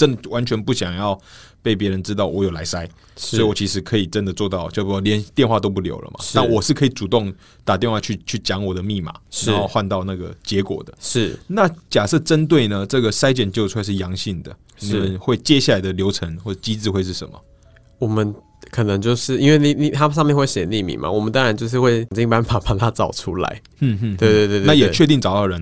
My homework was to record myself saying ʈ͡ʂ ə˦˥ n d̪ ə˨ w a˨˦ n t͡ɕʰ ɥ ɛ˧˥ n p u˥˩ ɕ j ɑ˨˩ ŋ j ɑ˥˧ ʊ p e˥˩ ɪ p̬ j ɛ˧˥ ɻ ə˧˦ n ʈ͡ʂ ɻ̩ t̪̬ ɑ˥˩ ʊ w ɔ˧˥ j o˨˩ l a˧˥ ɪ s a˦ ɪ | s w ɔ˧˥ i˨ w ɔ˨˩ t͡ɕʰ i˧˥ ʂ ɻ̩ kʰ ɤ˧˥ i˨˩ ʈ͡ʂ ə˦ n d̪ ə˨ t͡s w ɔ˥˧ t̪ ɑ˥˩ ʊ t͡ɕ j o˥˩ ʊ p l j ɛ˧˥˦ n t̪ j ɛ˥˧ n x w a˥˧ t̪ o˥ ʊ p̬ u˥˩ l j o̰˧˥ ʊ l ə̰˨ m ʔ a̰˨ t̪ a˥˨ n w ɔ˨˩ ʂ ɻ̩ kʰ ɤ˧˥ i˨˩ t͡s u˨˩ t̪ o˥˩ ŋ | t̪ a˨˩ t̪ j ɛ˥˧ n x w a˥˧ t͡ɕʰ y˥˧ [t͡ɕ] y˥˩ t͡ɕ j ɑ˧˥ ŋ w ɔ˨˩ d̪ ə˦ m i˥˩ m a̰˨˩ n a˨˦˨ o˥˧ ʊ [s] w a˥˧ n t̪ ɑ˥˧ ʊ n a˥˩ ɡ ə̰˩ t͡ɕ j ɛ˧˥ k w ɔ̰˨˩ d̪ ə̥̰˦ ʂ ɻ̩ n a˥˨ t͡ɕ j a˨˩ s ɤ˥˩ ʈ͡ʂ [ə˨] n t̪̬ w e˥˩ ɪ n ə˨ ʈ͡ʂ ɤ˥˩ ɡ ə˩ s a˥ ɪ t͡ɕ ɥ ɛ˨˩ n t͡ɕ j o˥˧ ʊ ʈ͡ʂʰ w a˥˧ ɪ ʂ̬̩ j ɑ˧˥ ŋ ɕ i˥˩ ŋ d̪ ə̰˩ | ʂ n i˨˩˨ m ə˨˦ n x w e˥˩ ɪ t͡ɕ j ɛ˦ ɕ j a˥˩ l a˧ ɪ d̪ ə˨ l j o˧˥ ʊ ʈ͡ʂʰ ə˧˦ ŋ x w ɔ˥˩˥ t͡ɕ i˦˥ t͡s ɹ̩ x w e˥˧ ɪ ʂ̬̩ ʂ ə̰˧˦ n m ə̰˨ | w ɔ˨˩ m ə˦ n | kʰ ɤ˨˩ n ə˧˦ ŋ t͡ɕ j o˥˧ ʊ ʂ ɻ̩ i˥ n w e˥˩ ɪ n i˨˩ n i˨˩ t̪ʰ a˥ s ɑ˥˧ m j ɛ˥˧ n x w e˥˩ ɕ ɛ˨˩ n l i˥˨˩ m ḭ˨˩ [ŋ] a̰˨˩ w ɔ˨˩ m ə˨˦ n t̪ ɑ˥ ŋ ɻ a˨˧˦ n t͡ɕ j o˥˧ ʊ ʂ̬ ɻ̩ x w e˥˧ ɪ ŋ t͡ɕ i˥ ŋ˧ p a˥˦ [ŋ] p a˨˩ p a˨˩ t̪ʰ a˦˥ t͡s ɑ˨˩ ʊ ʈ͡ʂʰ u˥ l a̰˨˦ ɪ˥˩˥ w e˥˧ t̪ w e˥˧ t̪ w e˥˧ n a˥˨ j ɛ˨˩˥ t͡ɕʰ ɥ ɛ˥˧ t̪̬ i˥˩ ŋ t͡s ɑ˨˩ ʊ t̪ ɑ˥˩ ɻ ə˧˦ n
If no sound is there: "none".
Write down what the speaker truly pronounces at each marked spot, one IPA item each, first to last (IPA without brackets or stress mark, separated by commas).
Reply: t͡ɕʰ, x, ə˦, m, n